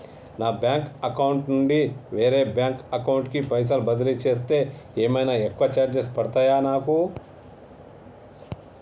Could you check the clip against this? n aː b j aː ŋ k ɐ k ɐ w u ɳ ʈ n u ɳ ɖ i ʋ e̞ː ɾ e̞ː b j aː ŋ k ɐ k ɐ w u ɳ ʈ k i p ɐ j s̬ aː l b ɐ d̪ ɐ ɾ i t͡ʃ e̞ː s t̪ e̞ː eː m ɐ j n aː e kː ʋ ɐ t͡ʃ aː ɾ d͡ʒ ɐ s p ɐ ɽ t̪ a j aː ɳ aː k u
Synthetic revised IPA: n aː b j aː ŋ k ɐ k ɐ w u ɳ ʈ n u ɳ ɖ i ʋ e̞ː ɾ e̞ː b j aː ŋ k ɐ k ɐ w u ɳ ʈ k i p ɐ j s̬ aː l b ɐ d̪ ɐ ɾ i t͡ʃ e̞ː s t̪ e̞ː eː m ɐ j n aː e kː ʋ ɐ t͡ʃ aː ɾ d͡ʒ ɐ s p ɐ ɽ t̪ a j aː n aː k u